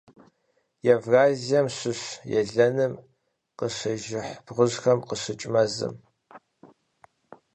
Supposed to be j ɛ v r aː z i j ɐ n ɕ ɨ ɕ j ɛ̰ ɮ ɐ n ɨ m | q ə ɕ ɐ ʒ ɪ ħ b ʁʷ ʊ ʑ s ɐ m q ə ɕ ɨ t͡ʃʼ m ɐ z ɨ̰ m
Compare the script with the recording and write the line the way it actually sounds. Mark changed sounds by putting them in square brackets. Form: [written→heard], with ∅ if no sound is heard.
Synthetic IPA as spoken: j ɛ v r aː z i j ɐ [n→m] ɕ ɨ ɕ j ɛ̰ ɮ ɐ n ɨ m | q ə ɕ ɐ ʒ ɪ ħ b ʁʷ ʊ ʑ [s→x] ɐ m q ə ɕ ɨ t͡ʃʼ m ɐ z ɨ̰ m